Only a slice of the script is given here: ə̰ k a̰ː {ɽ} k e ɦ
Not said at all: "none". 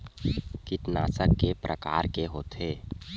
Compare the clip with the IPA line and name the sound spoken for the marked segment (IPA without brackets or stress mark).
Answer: ɾ